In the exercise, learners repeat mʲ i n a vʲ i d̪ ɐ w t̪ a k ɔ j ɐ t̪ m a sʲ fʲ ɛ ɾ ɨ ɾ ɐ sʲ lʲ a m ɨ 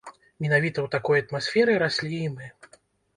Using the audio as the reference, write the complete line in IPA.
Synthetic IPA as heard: mʲ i n a vʲ i t̪ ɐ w t̪ a k ɔ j ɐ t̪ m a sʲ fʲ ɛ ɾ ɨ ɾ a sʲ lʲ i m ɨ

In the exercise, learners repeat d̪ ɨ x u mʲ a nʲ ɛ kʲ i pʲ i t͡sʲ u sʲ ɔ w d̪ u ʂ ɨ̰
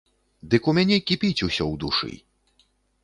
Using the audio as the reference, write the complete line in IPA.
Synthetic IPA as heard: d̪ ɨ k u mʲ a nʲ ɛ kʲ i pʲ i t͡sʲ u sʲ ɔ w d̪ u ʂ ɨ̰

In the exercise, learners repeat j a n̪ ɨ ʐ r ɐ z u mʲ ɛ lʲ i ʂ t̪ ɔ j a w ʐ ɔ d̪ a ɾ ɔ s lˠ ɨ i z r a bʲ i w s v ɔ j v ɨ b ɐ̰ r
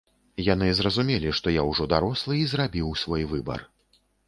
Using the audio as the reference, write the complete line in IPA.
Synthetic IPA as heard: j a n̪ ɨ z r ɐ z u mʲ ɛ lʲ i ʂ t̪ ɔ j a w ʐ ɔ d̪ a ɾ ɔ s lˠ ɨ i z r a bʲ i w s v ɔ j v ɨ b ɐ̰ r

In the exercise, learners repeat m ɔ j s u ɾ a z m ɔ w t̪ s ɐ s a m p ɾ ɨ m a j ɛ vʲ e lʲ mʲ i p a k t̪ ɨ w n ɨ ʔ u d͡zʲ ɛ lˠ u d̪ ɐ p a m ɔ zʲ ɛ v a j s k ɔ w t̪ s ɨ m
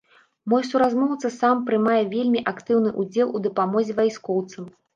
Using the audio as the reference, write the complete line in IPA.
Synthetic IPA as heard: m ɔ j s u ɾ a z m ɔ w t̪ s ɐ s a m p ɾ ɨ m a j ɛ vʲ e lʲ mʲ i ʔ a k t̪ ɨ w n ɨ ʔ u d͡zʲ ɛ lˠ u d̪ ɐ p a m ɔ zʲ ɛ v a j s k ɔ w t̪ s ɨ m

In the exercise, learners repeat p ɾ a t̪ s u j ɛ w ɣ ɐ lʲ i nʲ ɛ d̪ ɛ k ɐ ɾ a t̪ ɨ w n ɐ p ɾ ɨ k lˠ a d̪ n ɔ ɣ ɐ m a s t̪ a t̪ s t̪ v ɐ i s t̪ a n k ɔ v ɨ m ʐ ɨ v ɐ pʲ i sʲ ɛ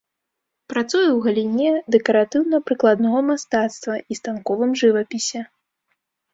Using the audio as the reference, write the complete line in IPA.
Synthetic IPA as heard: p ɾ a t̪ s u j ɛ w ɣ ɐ lʲ i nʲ ɛ d̪ ɛ k ɐ ɾ a t̪ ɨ w n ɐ p ɾ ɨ k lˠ a d̪ n ɔ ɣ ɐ m a s t̪ a t̪ s t̪ v ɐ i s t̪ a n k ɔ v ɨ m ʐ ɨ v ɐ pʲ i sʲ ɛ

